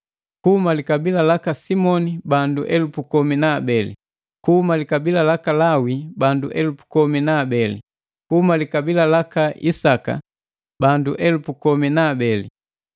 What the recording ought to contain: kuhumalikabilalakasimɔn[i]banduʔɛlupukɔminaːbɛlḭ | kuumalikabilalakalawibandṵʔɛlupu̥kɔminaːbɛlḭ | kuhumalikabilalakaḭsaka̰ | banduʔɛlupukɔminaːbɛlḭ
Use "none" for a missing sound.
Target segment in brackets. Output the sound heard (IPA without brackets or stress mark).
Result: i